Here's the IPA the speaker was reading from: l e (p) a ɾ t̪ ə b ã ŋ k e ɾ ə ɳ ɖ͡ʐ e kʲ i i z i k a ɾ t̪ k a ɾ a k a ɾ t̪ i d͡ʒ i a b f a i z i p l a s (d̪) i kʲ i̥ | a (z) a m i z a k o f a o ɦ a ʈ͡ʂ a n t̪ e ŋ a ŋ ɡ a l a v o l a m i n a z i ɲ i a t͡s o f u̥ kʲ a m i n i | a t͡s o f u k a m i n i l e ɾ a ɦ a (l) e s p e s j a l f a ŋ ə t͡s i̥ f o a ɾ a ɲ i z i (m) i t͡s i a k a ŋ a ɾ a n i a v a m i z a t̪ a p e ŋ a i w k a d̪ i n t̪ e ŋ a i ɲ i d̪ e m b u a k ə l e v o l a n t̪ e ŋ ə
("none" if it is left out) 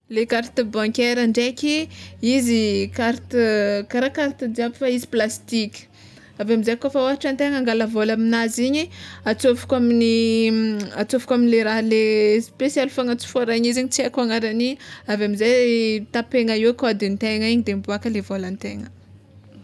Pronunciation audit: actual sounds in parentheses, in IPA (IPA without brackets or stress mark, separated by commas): k, t̪, v, l, ɲ